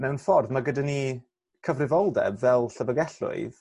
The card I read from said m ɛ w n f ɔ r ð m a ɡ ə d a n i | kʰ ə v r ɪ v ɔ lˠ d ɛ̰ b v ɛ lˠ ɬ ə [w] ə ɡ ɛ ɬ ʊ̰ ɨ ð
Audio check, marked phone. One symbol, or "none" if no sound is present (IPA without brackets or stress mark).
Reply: v